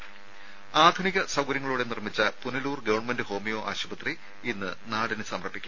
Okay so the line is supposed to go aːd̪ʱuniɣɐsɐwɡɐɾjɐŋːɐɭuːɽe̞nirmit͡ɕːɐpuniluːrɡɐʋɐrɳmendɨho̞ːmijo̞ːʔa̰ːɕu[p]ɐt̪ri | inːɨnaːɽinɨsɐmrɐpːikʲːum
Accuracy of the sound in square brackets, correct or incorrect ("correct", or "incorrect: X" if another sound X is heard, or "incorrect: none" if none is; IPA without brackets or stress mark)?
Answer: incorrect: b